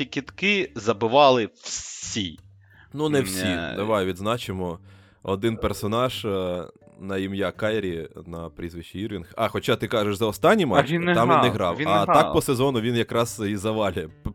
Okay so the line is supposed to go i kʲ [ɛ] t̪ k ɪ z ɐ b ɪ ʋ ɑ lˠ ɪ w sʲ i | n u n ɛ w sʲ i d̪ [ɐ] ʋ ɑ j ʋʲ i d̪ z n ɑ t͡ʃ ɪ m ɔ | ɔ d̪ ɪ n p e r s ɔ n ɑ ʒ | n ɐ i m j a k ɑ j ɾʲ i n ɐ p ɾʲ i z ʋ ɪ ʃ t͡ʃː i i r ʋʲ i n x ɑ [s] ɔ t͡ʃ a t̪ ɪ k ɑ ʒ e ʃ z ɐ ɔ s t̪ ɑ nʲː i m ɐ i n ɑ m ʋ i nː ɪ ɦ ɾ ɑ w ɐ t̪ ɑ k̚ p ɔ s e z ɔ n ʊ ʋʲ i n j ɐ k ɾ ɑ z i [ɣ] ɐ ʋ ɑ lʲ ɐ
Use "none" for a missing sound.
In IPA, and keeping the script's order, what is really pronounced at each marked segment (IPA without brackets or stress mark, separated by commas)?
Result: i, ɐ, x, z